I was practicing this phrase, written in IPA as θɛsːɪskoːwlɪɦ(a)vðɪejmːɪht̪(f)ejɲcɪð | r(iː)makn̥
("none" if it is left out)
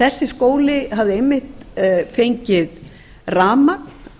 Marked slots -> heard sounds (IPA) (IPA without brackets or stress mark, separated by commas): a, f, aː